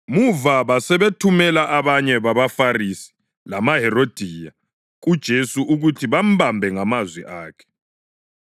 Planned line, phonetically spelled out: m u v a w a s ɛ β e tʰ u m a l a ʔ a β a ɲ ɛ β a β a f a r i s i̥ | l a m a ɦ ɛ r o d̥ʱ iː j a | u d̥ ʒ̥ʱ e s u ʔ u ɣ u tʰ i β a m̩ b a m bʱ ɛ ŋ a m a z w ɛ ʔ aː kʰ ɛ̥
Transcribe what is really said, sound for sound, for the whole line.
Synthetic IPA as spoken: m u v a β a s ɛ β e tʰ u m ɛ l a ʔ a β a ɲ ɛ β a β a f a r i s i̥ | l a m a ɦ ɛ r o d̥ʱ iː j a | u d̥ ʒ̥ʱ e s u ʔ u ɣ u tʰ i β a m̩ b a m bʱ ɛ ŋ a m a z w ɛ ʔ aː kʰ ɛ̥

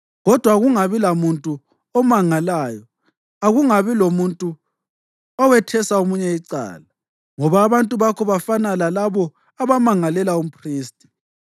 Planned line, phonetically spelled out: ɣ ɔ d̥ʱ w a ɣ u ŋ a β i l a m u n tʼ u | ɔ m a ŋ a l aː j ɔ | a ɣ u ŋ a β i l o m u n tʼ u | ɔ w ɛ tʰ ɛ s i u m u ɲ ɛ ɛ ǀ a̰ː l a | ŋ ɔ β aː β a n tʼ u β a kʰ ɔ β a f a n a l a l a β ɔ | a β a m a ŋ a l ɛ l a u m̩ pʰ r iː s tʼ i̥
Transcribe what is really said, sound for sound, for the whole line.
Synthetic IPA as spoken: ɣ ɔ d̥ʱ w a ɣ u ŋ a β i l a m u n tʼ u | ɔ m a ŋ a l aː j ɔ | a ɣ u ŋ a β i l o m u n tʼ u | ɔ w ɛ tʰ ɛ s a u m u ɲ ɛ i ǀ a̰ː l a | ŋ ɔ β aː β a n tʼ u β a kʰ ɔ β a f a n a l a l a β ɔ | a β a m a ŋ a l ɛ l a u m̩ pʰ r iː s tʼ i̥

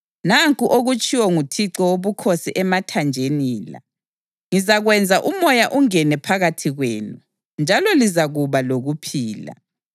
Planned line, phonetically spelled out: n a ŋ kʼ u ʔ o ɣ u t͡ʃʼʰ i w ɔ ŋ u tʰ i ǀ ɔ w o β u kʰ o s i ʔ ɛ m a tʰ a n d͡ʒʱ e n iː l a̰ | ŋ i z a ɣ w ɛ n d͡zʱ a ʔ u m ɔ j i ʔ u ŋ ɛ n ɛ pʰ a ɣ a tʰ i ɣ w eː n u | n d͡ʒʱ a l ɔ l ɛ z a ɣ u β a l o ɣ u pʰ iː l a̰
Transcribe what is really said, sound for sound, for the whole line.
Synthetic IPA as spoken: n a ŋ kʼ u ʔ o ɣ u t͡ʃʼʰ i w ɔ ŋ u tʰ i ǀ ɔ w o β u kʰ o s i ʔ ɛ m a tʰ a n d͡ʒʱ e n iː l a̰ | ŋ i z a ɣ w ɛ n d͡zʱ a ʔ u m ɔ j a ʔ u ŋ ɛ n ɛ pʰ a ɣ a tʰ i ɣ w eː n u | n d͡ʒʱ a l ɔ l i z a ɣ u β a l o ɣ u pʰ iː l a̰

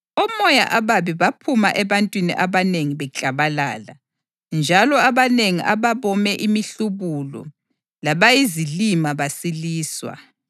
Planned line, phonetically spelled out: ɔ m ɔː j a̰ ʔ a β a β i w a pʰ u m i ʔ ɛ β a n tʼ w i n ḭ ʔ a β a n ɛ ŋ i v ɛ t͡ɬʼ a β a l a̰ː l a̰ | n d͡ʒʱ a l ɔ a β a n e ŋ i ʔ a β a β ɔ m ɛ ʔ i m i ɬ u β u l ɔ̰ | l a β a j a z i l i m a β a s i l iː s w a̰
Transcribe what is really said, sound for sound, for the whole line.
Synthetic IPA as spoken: ɔ m ɔ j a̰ ʔ a β a β i β a pʰ u m a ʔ ɛ β a n tʼ w i n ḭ ʔ a β a n e ŋ i β ɛ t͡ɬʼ a β a l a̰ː l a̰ | n d͡ʒʱ a l ɔ a β a n e ŋ i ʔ a β a β ɔ m ɛ ʔ i m i ɬ u β u l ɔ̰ | l a β a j i z i l i m a β a s i l iː s w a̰

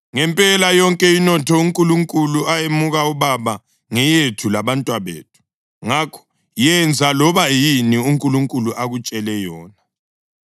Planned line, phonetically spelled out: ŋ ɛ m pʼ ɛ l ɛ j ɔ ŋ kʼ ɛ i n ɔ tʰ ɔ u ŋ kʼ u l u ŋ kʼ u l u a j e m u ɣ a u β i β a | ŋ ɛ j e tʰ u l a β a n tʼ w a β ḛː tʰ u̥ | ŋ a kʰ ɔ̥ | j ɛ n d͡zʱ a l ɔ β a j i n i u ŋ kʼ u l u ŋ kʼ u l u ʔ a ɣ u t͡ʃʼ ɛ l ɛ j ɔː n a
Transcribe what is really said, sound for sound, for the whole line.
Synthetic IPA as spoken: ŋ ɛ m pʼ ɛ l a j ɔ ŋ kʼ ɛ i n ɔ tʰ ɔ u ŋ kʼ u l u ŋ kʼ u l u a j e m u ɣ a u β a β a | ŋ ɛ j e tʰ u l a β a n tʼ w a β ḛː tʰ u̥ | ŋ a kʰ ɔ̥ | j ɛ n d͡zʱ a l ɔ β a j i n i u ŋ kʼ u l u ŋ kʼ u l u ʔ a ɣ u t͡ʃʼ ɛ l ɛ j ɔː n a

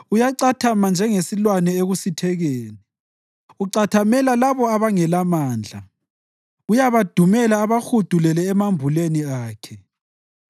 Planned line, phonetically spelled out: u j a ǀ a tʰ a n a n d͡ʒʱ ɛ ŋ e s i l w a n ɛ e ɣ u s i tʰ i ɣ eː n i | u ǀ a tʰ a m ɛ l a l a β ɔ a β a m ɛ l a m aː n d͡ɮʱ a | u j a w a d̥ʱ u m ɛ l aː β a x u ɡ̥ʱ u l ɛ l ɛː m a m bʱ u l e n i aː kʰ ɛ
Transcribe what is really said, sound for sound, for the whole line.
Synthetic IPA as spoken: u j a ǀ a tʰ a m a n d͡ʒʱ ɛ ŋ e s i l w a n ɛ e ɣ u s i tʰ ɛ ɣ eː n i | u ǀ a tʰ a m ɛ l a l a β ɔ a β a ŋ ɛ l a m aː n d͡ɮʱ a | u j a β a d̥ʱ u m ɛ l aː β a x u d̥ʱ u l ɛ l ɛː m a m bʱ u l e n i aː kʰ ɛ

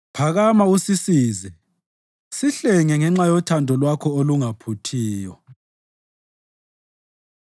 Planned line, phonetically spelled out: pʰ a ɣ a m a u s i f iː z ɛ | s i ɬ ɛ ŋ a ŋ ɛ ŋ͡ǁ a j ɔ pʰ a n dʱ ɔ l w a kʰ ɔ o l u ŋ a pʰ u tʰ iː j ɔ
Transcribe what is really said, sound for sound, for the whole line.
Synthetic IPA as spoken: pʰ a ɣ a m a u s i s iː z ɛ | s i ɬ ɛ ŋ ɛ ŋ ɛ ŋ͡ǁ a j ɔ tʰ a n dʱ ɔ l w a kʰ ɔ o l u ŋ a pʰ u tʰ iː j ɔ

